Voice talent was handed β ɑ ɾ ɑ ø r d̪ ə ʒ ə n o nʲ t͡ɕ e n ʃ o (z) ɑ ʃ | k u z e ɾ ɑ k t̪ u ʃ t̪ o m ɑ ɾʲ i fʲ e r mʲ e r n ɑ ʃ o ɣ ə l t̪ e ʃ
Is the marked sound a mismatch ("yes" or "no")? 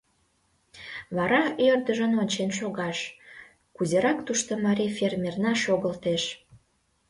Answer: yes